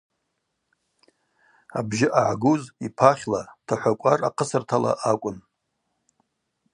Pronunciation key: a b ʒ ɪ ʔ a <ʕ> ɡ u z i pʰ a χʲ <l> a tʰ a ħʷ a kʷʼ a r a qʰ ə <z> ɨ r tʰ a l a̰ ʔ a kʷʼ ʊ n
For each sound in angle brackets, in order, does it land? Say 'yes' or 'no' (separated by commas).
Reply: yes, yes, no